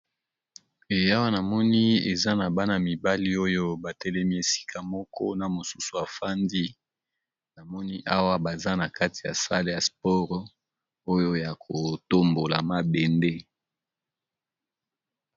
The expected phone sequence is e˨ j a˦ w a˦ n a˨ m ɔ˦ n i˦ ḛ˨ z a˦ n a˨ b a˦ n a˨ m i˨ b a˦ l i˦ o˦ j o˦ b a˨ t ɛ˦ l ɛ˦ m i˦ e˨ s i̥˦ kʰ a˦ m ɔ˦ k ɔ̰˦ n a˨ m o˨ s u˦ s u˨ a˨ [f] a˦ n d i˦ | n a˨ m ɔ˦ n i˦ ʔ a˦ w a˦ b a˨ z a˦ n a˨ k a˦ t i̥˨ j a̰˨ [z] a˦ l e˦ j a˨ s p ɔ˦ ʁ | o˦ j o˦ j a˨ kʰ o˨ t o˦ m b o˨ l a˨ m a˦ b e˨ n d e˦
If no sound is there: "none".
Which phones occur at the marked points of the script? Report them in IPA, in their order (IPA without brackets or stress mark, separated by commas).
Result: f, s